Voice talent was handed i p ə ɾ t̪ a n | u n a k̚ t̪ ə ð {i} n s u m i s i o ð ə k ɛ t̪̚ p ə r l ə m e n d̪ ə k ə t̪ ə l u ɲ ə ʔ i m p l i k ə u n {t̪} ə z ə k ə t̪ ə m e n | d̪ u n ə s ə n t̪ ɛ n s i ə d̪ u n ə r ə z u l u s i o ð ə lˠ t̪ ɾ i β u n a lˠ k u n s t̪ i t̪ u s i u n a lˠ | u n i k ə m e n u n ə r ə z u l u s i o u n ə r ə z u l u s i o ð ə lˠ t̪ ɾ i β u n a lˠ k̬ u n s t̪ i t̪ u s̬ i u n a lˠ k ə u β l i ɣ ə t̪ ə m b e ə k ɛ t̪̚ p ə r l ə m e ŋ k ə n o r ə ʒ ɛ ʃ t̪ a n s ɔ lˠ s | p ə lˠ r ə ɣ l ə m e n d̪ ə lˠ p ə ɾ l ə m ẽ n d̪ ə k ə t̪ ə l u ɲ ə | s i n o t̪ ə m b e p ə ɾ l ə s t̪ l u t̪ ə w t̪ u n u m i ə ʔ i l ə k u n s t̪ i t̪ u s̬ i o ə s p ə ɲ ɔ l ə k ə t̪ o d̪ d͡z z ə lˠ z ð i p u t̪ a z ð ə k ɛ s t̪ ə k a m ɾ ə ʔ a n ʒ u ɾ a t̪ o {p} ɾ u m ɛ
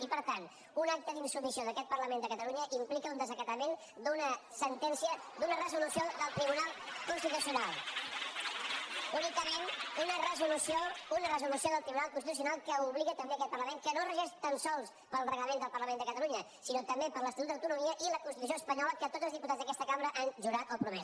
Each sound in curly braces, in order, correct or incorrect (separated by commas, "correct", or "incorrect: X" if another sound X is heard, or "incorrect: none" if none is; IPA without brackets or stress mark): correct, incorrect: d̪, correct